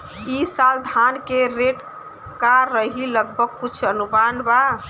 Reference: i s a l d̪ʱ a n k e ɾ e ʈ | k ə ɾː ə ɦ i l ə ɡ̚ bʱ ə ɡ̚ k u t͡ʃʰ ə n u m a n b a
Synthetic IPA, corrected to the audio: i s a l d̪ʱ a n k e ɾ e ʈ | k a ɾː ə ɦ i l ə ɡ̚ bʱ ə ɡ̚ k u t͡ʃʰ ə n u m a n b a